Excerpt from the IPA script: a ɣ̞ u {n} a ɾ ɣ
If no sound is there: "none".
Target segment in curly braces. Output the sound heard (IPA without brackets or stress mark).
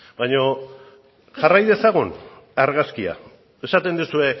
n